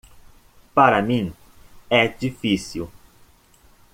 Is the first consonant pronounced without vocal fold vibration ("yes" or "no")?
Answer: yes